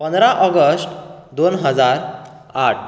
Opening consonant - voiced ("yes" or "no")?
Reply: no